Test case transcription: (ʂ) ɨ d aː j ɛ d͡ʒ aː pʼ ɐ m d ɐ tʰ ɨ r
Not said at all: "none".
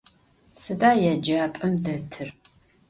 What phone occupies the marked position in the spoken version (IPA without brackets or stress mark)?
s